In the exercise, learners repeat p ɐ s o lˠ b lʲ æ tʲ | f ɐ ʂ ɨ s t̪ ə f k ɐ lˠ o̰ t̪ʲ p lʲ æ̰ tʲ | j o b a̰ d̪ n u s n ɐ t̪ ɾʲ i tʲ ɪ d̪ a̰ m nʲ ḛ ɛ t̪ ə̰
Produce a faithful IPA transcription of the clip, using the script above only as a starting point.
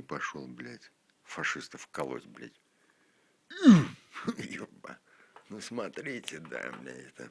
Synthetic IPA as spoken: p ɐ ʂ o lˠ b lʲ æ tʲ | f ɐ ʂ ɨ s t̪ ə f k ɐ lˠ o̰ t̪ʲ b lʲ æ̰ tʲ | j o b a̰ n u s m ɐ t̪ ɾʲ i tʲ ɪ d̪ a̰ m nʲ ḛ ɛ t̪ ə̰

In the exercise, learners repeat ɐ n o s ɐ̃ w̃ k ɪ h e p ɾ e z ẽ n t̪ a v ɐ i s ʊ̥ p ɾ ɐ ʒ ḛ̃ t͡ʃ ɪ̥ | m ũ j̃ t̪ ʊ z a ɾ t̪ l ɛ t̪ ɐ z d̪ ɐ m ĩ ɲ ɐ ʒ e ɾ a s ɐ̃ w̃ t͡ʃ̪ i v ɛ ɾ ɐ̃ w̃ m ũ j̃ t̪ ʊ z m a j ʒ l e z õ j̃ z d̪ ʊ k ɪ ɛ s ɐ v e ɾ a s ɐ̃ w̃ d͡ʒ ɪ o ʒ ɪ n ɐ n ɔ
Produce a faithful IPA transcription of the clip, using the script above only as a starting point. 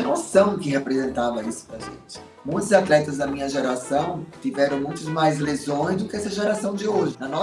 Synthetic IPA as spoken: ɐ n o s ɐ̃ w̃ k ɪ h e p ɾ e z ẽ n t̪ a v ɐ i s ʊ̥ p ɾ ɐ ʒ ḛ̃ t͡ʃ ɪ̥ | m ũ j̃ t̪ ʊ z a t̪ l ɛ t̪ ɐ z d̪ ɐ m ĩ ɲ ɐ ʒ e ɾ a s ɐ̃ w̃ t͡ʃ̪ i v ɛ ɾ ɐ̃ w̃ m ũ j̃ t̪ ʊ z m a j z l e z õ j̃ z d̪ ʊ k ɪ ɛ s ɐ ʒ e ɾ a s ɐ̃ w̃ d͡ʒ ɪ o ʒ ɪ n ɐ n ɔ

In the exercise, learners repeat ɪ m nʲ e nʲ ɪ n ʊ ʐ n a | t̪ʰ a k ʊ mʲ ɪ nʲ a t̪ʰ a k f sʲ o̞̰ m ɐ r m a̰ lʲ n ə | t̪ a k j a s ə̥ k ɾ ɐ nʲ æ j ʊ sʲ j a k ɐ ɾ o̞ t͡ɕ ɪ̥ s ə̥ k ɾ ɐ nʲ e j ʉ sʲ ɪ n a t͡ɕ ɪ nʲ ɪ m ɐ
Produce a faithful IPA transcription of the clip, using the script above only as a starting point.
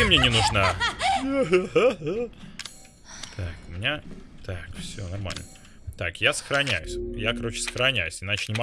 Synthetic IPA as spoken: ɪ m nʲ e nʲ ɪ n ʊ ʐ n a | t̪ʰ a k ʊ mʲ ɪ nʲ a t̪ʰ a k f sʲ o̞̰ n ɐ r m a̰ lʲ n ə | t̪ a k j a s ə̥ x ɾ ɐ nʲ æ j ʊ sʲ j a k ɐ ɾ o̞ t͡ɕ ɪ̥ s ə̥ x ɾ ɐ nʲ æ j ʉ sʲ ɪ n a t͡ɕ ɪ nʲ ɪ m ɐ

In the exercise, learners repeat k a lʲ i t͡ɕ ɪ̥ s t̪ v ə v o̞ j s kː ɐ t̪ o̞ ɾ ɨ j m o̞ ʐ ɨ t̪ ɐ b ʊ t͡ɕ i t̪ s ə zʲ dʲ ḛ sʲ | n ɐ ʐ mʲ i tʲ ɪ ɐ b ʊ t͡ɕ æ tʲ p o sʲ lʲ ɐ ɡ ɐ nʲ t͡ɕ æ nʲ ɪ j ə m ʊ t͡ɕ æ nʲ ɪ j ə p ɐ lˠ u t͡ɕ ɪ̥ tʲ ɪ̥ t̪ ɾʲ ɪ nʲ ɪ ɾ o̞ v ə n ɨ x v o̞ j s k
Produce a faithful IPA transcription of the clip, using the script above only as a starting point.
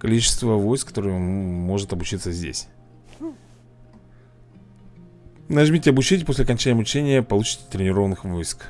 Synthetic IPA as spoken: k ɐ lʲ i t͡ɕ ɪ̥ s t̪ v ə v o̞ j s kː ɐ t̪ o̞ ɾ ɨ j m o̞ ʐ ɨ t̪ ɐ b ʊ t͡ɕ i t̪ s ə zʲ dʲ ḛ sʲ | n ɐ ʐ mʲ i tʲ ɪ ɐ b ʊ t͡ɕ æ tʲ p o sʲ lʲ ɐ k ɐ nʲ t͡ɕ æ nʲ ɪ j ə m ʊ t͡ɕ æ nʲ ɪ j ə p ɐ lˠ u t͡ɕ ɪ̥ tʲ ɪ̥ t̪ ɾʲ ɪ nʲ ɪ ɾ o̞ v ə n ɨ x v o̞ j s k

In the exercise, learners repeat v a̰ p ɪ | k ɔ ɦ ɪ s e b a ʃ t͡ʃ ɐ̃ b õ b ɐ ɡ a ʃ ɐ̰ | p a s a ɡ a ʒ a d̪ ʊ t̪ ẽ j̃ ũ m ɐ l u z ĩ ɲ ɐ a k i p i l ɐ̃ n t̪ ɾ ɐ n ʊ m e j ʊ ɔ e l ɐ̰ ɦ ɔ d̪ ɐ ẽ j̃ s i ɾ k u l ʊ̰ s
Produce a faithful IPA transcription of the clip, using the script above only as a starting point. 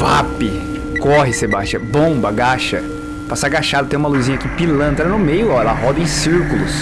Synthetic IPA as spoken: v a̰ p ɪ | k ɔ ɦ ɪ s e b a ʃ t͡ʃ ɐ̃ b õ b ɐ ɡ a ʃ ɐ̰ | p a s a ɡ a ʃ a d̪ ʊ t̪ ẽ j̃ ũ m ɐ l u z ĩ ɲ ɐ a k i p i l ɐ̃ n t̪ ɾ ɐ n ʊ m e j ʊ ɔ ɛ l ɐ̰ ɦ ɔ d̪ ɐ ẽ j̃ s i ɾ k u l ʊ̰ s

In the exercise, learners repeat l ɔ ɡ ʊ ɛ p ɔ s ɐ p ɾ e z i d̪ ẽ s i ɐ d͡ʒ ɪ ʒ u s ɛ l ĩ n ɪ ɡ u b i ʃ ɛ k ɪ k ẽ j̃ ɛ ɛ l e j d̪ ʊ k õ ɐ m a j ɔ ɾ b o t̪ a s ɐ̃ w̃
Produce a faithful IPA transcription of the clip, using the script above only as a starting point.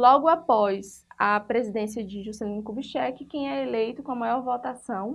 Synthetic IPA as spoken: l ɔ ɡ ʊ a p ɔ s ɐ p ɾ e z i d̪ ẽ s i ɐ d͡ʒ ɪ ʒ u s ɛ l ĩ n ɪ k u b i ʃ ɛ k ɪ k ẽ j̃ ɛ e l e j t̪ ʊ k õ ɐ m a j ɔ ɾ v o t̪ a s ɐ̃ w̃

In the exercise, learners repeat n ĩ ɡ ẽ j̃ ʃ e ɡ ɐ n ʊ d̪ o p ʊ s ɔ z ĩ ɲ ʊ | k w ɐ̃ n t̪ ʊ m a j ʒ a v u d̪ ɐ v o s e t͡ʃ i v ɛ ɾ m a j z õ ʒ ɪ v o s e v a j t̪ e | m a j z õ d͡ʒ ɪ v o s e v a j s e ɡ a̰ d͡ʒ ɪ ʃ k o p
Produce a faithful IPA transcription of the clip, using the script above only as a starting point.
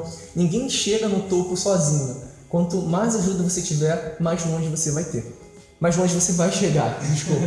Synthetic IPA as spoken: n ĩ ɡ ẽ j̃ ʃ e ɡ ɐ n ʊ t̪ o p ʊ s ɔ z ĩ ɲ ʊ | k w ɐ̃ n t̪ ʊ m a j z a ʒ u d̪ ɐ v o s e t͡ʃ i v ɛ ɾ m a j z õ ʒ ɪ v o s e v a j t̪ e | m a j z õ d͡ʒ ɪ v o s e v a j ʃ e ɡ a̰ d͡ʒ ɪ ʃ k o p

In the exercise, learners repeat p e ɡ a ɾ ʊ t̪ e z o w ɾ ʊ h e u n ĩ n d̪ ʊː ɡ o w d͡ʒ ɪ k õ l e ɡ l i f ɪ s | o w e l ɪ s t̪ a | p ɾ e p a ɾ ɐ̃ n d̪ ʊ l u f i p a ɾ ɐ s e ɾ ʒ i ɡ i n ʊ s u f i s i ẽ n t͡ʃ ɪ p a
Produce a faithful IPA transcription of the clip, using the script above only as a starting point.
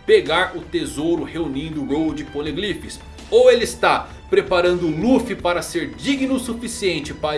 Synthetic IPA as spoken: p e ɡ a ɾ ʊ t̪ e z o w ɾ ʊ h e u n ĩ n d̪ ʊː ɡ o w d͡ʒ ɪ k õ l e ɡ l i f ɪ s | o w e l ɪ s t̪ a | p ɾ e p a ɾ ɐ̃ n d̪ ʊ l u f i p a ɾ ɐ s e ɾ d͡ʒ i ɡ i n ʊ s u f i s i ẽ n t͡ʃ ɪ p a

